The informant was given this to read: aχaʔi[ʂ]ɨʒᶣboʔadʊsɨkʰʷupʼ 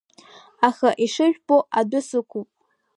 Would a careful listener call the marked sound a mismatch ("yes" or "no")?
no